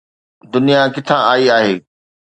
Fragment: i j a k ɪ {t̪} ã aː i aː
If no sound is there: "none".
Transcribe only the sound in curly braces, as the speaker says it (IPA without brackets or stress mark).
t̪ʰ